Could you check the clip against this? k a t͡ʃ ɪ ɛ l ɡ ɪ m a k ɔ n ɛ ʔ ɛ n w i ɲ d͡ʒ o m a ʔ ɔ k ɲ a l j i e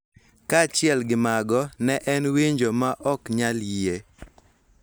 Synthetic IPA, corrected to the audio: k a t͡ʃ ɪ ɛ l ɡ ɪ m a ɡ ɔ n ɛ ʔ ɛ n w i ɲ d͡ʒ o m a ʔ ɔ k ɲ a l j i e

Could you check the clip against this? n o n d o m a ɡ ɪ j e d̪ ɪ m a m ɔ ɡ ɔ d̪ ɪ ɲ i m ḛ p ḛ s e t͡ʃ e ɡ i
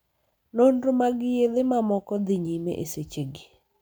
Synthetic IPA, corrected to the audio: n o n d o m a ɡ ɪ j e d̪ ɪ m a m ɔ k ɔ d̪ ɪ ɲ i m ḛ ʔ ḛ s e t͡ʃ e ɡ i

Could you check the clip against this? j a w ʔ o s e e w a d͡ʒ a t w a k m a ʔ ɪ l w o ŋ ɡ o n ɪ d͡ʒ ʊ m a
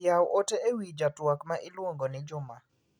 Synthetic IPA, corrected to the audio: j a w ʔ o t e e w i d͡ʒ a t w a k m a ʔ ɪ l w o ŋ ɡ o n ɪ d͡ʒ ʊ m a

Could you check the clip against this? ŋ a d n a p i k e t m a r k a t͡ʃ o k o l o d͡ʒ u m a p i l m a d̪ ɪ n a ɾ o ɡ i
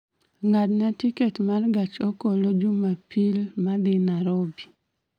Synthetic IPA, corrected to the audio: ŋ a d n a t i k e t m a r ɡ a t͡ʃ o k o l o d͡ʒ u m a p i l m a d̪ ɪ n a ɾ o b i

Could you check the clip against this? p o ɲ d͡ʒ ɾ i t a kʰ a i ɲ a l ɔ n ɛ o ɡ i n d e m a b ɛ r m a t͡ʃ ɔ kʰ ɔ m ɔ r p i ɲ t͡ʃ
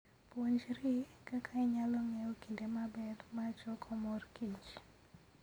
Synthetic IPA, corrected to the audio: p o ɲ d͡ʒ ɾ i k a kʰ a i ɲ a l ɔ ŋ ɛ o k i n d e m a b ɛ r m a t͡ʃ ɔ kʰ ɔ m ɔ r k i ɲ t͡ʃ

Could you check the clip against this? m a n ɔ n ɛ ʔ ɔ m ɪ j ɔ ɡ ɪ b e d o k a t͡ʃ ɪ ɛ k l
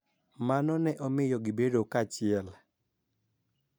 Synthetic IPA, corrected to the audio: m a n ɔ n ɛ ʔ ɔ m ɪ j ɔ ɡ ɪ b e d o k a t͡ʃ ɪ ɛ l

